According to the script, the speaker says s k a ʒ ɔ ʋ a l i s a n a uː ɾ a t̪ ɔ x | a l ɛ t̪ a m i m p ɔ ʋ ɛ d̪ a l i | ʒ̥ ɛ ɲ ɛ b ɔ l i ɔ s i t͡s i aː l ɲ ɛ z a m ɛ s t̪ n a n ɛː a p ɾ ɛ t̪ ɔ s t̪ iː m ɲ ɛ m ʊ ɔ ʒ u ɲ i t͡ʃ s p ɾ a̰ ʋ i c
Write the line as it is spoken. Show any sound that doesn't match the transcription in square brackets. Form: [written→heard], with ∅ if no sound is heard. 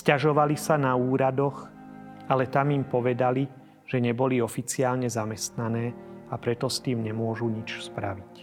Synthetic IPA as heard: s [k→c] a ʒ ɔ ʋ a l i s a n a uː ɾ a [t̪→d̪] ɔ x | a l ɛ t̪ a m i m p ɔ ʋ ɛ d̪ a l i | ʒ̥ ɛ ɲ ɛ b ɔ l i ɔ [s→f] i t͡s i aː l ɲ ɛ z a m ɛ s t̪ n a n ɛː a p ɾ ɛ t̪ ɔ s t̪ iː m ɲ ɛ m ʊ ɔ ʒ u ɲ i t͡ʃ s p ɾ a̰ ʋ i c